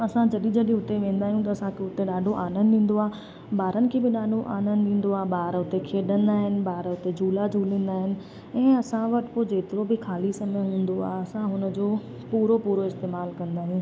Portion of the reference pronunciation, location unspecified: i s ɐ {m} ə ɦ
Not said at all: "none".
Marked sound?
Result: m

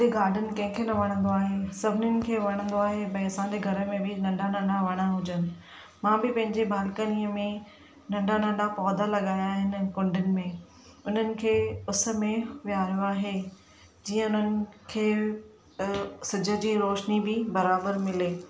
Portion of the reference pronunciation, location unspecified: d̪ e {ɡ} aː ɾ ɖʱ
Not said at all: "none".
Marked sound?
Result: ɡ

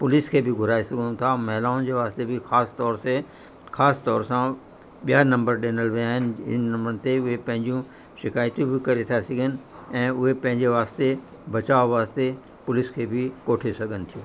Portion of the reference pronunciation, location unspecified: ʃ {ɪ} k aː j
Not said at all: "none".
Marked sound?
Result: ɪ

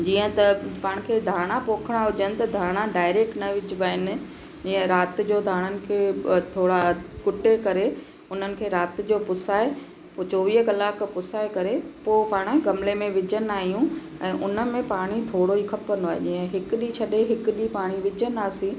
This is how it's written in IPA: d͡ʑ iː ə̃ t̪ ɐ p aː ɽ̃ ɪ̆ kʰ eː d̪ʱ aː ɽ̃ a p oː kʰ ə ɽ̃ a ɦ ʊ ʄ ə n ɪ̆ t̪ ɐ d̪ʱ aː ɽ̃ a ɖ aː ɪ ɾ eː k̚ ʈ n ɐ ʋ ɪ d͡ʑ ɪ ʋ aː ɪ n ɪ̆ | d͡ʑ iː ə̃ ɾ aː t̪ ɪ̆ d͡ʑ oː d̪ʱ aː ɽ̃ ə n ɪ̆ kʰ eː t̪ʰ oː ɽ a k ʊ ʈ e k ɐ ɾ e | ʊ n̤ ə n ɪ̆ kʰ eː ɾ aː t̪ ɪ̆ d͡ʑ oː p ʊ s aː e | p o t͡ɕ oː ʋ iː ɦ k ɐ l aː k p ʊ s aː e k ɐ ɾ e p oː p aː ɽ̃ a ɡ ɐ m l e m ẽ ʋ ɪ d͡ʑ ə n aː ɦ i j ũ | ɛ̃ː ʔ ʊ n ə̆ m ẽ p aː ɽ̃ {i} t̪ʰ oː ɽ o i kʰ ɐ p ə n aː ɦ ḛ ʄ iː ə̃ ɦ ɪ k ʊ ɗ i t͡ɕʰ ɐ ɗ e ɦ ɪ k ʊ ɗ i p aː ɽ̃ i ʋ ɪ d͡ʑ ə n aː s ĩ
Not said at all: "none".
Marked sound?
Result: i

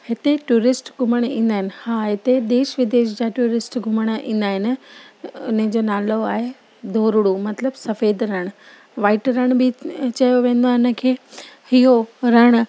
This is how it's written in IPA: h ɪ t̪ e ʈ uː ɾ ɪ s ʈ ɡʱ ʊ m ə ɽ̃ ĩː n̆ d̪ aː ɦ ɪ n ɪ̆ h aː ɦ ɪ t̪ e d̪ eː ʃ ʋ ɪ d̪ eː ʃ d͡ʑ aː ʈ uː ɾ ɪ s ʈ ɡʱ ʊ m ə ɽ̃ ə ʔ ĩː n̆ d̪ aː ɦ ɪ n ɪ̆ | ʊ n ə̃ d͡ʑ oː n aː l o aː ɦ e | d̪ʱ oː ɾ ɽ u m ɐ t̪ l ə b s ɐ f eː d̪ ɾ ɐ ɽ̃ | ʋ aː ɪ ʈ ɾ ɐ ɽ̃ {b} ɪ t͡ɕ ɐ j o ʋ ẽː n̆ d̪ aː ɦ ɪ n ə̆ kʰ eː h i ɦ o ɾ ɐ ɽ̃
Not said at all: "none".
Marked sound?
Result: b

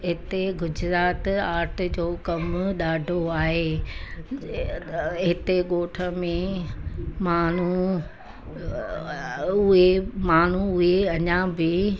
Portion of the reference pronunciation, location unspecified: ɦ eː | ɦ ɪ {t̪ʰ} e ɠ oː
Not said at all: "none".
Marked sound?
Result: t̪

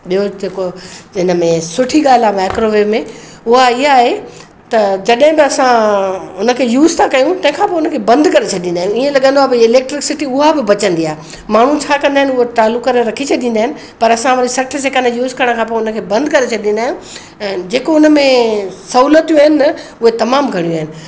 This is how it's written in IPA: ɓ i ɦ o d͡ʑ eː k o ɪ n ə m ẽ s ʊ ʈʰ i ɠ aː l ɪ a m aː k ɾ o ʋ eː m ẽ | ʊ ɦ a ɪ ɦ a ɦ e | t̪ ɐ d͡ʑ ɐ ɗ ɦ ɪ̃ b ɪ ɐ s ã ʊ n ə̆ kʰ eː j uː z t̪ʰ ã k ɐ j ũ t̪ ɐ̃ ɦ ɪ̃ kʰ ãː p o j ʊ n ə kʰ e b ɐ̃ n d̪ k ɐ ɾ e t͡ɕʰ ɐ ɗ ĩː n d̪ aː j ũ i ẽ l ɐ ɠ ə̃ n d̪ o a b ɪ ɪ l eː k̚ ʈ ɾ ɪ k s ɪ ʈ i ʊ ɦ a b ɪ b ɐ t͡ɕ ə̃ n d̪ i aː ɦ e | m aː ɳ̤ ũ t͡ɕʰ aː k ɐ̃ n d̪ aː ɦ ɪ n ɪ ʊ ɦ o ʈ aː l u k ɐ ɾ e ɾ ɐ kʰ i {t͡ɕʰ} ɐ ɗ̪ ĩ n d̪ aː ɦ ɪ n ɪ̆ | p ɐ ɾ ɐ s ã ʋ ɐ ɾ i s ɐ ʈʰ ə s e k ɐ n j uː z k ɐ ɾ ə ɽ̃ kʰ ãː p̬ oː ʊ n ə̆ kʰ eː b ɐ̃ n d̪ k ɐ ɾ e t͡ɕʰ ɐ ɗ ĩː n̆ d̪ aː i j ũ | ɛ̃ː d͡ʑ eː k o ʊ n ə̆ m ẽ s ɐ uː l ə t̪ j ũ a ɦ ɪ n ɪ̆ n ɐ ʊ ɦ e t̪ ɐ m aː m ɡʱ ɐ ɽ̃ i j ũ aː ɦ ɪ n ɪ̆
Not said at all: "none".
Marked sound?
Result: t͡ɕʰ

